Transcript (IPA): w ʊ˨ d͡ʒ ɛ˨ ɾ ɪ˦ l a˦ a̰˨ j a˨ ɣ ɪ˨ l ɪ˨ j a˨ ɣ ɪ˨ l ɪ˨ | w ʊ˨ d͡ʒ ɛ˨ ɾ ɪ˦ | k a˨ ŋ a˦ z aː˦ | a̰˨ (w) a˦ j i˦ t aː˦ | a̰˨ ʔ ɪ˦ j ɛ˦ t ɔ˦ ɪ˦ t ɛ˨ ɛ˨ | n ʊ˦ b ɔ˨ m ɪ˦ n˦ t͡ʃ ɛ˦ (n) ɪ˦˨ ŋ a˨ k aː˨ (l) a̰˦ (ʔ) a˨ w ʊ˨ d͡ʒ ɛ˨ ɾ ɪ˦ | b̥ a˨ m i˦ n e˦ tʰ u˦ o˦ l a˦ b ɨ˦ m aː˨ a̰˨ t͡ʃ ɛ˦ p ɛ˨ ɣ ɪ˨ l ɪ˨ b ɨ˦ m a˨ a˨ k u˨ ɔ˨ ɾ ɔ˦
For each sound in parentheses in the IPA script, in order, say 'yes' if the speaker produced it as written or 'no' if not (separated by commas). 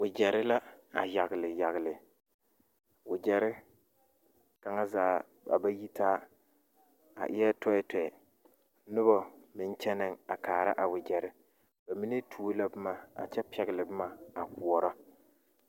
no, yes, no, yes